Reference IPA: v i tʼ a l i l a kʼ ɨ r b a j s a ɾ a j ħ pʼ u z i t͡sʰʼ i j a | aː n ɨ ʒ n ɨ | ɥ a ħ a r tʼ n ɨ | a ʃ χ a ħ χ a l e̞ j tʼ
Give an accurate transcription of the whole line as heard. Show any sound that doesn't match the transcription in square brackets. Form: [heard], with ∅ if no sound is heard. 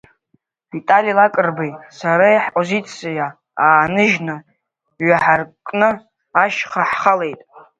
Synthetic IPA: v i tʼ a l i l a kʼ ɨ r b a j s a ɾ a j ħ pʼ [o] z i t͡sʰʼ i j a | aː n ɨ ʒ n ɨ | ɥ a ħ a r [kʼ] n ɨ | a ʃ χ a ħ χ a l e̞ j tʼ